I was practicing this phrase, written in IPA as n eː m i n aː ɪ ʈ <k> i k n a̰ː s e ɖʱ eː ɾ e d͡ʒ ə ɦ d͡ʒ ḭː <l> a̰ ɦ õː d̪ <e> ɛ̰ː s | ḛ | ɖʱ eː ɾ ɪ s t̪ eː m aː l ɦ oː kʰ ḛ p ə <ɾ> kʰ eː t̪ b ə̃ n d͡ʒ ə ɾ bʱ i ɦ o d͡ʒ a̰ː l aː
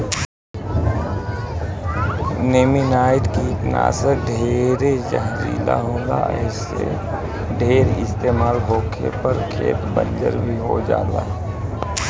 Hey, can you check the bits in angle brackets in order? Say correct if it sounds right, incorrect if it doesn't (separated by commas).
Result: correct, correct, incorrect, correct